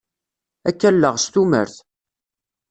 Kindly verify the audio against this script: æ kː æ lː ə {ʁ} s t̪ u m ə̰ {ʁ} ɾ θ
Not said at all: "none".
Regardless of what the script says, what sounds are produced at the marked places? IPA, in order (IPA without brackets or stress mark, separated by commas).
ʁ, none